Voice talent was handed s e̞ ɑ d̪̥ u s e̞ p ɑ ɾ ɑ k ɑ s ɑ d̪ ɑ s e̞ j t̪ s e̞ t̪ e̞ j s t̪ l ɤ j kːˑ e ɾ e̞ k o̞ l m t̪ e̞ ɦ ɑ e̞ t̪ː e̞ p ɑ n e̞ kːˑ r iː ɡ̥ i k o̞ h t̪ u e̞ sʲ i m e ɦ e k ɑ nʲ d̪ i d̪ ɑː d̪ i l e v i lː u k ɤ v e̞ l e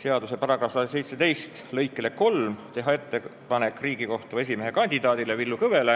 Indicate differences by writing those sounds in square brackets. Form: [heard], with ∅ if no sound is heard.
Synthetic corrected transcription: s e̞ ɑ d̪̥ u s e̞ p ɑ ɾ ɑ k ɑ s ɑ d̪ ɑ s e̞ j t̪ s e̞ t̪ e̞ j s t̪ l ɤ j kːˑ e [l] e̞ k o̞ l m t̪ e̞ ɦ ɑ e̞ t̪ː e̞ p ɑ n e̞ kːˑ r iː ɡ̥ i k o̞ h t̪ u e̞ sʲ i m e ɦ e k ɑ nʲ d̪ i d̪ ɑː d̪ i l e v i lː u k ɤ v e̞ l e